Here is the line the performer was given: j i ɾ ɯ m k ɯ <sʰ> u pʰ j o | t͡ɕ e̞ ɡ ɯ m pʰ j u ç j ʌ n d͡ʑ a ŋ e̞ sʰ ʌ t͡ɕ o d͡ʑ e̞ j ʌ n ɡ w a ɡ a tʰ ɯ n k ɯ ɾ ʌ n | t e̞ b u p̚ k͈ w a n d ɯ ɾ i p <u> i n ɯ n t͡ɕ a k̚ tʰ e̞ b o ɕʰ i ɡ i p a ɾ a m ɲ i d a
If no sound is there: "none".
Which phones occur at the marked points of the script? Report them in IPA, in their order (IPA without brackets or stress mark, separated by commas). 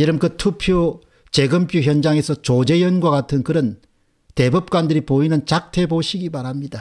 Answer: tʰ, o